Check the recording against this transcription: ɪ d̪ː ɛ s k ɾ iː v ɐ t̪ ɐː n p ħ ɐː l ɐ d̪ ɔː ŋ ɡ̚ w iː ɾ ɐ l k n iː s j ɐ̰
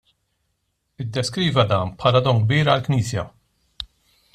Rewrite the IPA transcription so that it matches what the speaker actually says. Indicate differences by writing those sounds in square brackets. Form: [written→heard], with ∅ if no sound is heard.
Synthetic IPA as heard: ɪ d̪ː ɛ s k ɾ iː v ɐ [t̪→d̪] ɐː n p ħ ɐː l ɐ d̪ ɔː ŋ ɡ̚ [w→b] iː ɾ ɐ l k n iː s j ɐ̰